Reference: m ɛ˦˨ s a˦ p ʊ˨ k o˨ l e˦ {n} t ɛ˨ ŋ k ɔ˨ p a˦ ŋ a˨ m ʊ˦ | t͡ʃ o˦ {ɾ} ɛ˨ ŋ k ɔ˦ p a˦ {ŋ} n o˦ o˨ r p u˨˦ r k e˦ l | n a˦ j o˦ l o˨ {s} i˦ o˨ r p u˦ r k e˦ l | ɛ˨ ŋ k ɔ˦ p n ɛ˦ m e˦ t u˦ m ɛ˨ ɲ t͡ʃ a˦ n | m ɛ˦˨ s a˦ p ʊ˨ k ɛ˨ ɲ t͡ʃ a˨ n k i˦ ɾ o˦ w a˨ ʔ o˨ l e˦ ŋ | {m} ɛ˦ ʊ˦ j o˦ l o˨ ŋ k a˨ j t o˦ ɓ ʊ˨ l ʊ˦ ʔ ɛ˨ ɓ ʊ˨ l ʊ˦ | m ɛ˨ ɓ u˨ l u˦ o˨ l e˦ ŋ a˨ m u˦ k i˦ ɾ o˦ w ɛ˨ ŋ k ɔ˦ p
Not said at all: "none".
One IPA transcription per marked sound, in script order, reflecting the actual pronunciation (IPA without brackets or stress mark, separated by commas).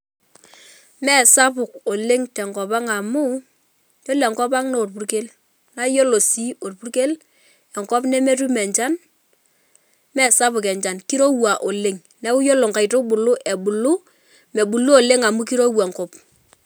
ŋ, l, ŋ, s, n